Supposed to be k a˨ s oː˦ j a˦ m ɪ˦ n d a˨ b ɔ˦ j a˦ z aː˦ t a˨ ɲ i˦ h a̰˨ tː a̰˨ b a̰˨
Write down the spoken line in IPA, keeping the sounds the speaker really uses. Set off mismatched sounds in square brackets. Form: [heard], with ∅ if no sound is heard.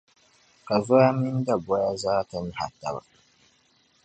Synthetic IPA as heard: k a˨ [z] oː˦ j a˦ m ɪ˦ n d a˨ b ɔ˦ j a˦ z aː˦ t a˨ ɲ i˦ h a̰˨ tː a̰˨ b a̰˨